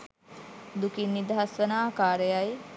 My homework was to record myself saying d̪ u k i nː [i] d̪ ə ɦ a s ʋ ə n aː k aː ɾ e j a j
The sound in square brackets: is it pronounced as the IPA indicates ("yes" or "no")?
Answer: yes